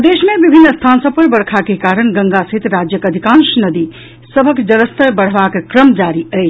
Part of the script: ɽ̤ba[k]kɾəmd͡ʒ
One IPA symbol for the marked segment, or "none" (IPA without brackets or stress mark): k